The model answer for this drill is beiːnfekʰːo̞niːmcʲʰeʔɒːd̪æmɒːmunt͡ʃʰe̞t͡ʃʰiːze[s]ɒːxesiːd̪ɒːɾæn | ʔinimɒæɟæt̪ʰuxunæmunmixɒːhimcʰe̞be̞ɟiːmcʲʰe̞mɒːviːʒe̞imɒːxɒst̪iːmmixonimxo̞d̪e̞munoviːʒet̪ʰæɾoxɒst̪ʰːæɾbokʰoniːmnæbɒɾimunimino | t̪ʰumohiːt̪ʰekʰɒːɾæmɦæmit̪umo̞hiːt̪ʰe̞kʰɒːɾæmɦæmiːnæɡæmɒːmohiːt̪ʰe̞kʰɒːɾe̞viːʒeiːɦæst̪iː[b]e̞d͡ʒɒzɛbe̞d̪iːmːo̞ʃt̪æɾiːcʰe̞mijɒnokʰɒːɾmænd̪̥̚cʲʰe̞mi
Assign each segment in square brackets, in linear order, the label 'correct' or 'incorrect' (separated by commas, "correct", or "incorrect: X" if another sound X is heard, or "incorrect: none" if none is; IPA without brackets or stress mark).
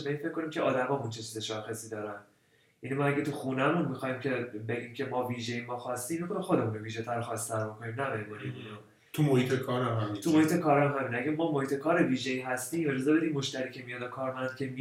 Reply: incorrect: ʃ, incorrect: m